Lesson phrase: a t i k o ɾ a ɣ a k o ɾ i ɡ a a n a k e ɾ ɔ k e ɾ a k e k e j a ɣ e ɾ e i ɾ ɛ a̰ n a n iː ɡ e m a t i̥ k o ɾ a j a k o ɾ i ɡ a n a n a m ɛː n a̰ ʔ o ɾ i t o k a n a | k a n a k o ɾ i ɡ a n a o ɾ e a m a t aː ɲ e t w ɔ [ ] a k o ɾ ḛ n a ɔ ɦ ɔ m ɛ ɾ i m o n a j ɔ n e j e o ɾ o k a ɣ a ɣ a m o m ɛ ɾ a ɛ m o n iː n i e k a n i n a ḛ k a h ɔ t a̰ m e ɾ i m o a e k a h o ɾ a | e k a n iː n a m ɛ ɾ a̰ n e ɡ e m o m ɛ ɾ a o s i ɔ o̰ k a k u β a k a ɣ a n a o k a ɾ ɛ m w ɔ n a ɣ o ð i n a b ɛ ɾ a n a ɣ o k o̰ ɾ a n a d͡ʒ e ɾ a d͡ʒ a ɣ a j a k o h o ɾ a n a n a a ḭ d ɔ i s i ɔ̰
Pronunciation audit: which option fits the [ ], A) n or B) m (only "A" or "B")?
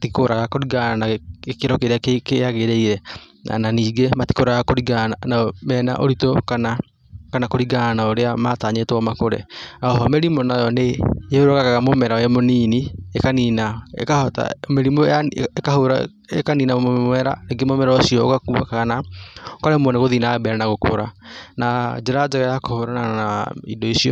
B